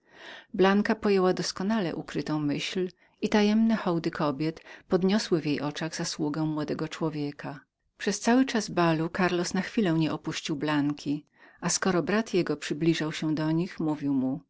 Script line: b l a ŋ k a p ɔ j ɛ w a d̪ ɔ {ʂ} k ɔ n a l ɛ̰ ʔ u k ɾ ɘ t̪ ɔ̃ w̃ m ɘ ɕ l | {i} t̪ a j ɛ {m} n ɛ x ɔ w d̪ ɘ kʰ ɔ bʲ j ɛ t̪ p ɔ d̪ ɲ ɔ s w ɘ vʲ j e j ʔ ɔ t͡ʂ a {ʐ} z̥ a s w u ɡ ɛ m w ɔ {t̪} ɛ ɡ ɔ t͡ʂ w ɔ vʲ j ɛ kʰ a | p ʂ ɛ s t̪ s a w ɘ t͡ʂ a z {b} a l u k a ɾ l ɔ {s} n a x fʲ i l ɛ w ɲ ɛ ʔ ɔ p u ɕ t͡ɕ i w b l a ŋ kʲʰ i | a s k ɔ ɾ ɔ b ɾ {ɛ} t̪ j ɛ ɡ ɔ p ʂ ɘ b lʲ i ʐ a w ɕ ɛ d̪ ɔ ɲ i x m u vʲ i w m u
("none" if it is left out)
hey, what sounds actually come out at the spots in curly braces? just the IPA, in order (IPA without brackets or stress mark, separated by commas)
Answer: s, i, m, ɣ, d̪, b, s, a